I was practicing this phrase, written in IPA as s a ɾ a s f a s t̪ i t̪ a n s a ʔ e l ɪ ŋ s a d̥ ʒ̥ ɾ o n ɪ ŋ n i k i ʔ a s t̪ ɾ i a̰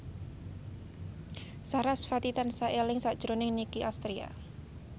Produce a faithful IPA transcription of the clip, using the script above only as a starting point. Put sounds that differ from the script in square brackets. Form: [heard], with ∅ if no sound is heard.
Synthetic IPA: s a ɾ a s f a [∅] t̪ i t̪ a n s a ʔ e l ɪ ŋ s a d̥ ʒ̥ ɾ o n ɪ ŋ n i k i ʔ a s t̪ ɾ i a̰